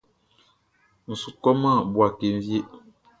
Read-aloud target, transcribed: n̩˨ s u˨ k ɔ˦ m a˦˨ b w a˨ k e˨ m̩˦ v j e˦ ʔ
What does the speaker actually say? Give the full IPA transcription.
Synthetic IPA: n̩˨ s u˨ k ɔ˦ m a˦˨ b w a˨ k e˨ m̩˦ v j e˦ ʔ

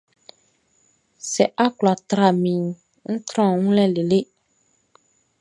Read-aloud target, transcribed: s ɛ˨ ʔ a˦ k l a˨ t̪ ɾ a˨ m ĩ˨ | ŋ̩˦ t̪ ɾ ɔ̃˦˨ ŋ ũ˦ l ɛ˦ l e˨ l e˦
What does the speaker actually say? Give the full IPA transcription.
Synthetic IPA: s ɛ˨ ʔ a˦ k l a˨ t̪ ɾ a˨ m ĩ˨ | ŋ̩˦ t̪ ɾ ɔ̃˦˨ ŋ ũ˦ l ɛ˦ l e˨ l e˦

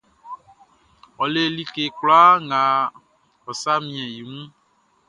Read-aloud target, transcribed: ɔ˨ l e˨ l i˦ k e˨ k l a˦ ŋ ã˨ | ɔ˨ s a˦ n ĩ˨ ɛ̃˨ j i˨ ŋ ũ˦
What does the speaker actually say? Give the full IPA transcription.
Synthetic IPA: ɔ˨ l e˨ l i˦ k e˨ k l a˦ ŋ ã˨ | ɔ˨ s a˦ m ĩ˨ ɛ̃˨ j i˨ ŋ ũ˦

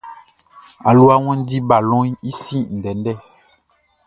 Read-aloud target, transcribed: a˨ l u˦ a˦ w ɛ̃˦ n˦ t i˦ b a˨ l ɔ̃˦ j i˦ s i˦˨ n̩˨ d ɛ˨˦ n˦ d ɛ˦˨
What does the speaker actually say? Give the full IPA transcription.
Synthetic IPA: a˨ l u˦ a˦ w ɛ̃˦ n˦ d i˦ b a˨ l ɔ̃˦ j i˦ s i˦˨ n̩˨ d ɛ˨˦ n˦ d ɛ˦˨

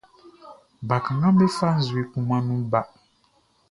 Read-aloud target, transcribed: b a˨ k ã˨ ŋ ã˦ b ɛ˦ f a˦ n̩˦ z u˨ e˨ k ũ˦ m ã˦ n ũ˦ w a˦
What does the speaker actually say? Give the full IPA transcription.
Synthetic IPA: b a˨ k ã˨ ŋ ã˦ b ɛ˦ f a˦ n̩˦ z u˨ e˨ k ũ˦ m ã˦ n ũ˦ b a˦

